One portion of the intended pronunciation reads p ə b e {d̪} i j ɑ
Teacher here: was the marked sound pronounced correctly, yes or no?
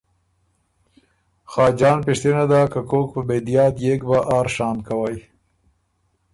yes